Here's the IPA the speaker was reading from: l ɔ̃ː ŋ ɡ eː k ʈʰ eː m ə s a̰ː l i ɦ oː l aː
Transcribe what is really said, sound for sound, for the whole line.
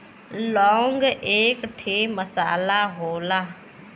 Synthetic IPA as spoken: l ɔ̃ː ŋ ɡ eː k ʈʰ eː m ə s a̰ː l a ɦ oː l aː